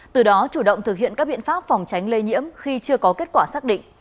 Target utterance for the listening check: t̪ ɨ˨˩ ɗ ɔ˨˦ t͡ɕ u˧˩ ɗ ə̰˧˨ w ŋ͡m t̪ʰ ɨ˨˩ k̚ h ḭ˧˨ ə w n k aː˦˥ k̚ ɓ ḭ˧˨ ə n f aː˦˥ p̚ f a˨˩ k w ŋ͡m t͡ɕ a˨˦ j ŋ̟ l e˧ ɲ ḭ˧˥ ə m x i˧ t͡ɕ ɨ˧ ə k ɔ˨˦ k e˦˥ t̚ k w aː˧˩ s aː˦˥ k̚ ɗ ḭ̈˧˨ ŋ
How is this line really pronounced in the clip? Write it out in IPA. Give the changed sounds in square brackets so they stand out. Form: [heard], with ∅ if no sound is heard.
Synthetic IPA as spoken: t̪ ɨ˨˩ ɗ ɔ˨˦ t͡ɕ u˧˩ ɗ ə̰˧˨ w ŋ͡m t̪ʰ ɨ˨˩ k̚ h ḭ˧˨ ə [∅] n k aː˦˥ k̚ ɓ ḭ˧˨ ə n f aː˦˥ p̚ f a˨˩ [∅] w ŋ͡m t͡ɕ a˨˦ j ŋ̟ l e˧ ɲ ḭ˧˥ ə m x i˧ t͡ɕ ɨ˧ ə k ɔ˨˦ k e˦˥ t̚ k w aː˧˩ s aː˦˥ k̚ ɗ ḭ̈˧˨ ŋ